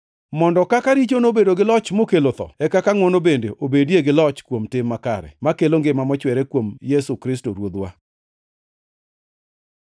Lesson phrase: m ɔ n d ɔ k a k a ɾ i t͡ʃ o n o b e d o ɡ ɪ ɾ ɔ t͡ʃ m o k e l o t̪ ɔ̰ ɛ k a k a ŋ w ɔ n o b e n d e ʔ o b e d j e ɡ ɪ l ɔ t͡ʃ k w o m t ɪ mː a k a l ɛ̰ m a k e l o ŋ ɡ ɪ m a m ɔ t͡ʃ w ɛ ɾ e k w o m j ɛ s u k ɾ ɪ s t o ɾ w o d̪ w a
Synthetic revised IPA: m ɔ n d ɔ k a k a ɾ i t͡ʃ o n o b e d o ɡ ɪ l ɔ t͡ʃ m o k e l o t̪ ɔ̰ ɛ k a k a ŋ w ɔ n o b e n d e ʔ o b e d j e ɡ ɪ l ɔ t͡ʃ k w o m t ɪ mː a k a ɾ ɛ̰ m a k e l o ŋ ɡ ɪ m a m ɔ t͡ʃ w ɛ ɾ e k w o m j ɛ s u k ɾ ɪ s t o ɾ w o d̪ w a